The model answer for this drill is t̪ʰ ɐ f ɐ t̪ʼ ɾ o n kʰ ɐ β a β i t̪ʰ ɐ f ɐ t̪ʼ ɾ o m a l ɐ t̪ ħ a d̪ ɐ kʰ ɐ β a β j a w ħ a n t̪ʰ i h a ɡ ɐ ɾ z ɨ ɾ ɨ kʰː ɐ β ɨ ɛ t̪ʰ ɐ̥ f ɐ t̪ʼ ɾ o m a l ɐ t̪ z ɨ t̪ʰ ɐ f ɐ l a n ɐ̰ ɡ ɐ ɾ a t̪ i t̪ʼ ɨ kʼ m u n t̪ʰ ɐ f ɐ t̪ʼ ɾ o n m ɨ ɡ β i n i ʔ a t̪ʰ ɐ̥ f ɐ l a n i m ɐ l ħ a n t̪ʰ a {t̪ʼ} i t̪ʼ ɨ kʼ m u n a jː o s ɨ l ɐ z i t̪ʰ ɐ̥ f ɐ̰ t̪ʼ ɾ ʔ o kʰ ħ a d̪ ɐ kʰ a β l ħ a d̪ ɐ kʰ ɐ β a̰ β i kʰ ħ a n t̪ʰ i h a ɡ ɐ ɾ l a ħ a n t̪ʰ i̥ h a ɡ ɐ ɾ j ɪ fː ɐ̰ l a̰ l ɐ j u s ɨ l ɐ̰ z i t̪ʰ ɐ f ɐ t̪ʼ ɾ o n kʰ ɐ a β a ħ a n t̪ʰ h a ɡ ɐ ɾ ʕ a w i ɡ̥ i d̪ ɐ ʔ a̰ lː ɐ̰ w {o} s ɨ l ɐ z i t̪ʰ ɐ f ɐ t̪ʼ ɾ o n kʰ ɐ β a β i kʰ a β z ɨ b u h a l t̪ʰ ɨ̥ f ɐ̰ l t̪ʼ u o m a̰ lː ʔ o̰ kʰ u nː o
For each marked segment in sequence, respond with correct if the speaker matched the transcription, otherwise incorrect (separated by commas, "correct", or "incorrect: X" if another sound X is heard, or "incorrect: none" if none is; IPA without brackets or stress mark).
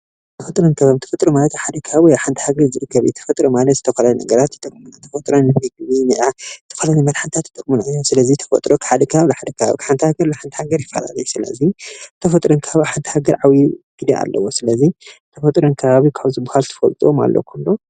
incorrect: t̪, correct